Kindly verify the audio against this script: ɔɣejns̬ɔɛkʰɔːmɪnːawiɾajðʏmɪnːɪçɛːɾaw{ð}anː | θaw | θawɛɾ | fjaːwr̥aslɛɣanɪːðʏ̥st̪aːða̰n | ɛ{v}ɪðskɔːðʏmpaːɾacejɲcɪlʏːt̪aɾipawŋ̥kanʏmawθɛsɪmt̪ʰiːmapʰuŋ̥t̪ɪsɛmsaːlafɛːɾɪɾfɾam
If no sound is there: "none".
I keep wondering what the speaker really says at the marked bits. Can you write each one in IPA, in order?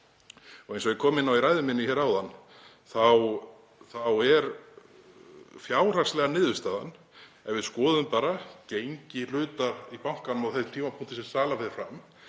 ð, v

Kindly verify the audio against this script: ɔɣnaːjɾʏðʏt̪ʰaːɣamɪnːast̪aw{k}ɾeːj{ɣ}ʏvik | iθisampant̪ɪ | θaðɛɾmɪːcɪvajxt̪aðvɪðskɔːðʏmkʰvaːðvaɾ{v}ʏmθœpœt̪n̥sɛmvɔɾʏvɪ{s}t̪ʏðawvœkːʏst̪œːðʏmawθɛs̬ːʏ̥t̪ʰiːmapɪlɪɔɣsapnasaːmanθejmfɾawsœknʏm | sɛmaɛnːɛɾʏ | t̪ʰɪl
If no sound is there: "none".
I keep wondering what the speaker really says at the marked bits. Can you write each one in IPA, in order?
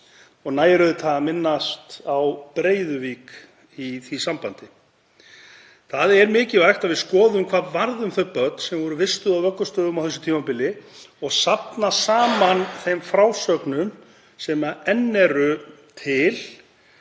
p, ð, ð, s

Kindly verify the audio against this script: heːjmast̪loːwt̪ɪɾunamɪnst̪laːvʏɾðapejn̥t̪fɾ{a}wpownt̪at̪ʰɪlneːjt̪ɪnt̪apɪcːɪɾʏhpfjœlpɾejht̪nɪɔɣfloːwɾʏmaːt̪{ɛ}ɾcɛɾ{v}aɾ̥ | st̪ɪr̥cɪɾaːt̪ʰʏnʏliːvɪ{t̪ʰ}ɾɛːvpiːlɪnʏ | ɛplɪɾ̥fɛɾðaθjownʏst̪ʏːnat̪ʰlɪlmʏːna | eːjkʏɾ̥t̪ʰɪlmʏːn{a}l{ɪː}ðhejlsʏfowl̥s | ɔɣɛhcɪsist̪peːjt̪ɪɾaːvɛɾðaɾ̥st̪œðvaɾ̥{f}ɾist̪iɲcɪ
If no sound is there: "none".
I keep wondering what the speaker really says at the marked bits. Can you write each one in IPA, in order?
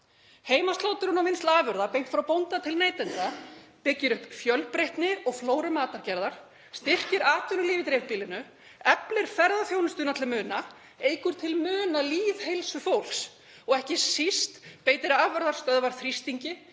a, a, ð, t̪, a, iː, θ

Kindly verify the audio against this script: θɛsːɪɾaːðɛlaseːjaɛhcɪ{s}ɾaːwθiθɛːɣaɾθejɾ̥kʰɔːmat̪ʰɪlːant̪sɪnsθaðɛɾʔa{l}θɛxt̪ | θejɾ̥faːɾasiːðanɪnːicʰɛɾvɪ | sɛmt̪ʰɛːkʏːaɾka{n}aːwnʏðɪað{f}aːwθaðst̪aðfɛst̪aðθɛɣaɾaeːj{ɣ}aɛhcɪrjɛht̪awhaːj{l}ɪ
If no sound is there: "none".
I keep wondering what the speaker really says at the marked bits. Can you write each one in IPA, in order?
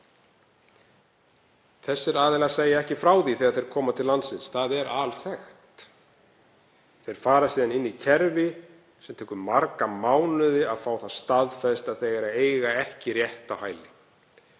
f, l, m, f, ɣ, l

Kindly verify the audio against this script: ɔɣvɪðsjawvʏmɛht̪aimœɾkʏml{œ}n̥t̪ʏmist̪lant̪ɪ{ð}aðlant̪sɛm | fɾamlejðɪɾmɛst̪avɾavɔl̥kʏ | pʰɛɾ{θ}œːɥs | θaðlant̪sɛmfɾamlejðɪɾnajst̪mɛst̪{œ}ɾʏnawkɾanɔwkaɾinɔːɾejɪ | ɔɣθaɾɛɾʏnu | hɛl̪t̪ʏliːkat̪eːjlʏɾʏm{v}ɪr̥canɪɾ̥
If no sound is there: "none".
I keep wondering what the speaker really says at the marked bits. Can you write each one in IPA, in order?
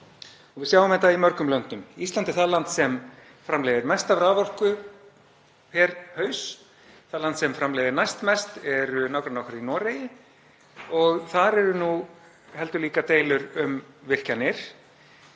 œ, θ, h, ɛ, v

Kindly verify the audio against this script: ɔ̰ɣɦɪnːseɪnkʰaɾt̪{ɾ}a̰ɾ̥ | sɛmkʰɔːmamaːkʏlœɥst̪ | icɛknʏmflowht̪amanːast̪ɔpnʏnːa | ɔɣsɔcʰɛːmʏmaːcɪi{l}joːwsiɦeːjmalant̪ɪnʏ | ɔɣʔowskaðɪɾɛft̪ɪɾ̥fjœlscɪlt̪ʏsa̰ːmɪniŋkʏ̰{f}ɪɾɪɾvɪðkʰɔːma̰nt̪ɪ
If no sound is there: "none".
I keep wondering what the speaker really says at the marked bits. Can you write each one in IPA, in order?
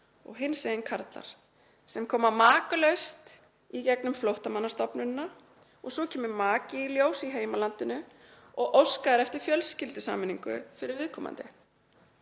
l, l, f

